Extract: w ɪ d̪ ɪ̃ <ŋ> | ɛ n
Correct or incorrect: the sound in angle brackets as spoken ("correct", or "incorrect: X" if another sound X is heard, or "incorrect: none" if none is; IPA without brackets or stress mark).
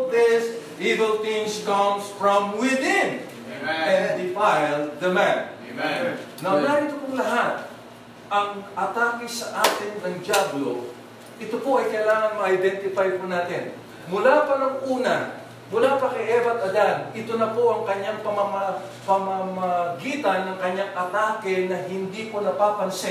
incorrect: n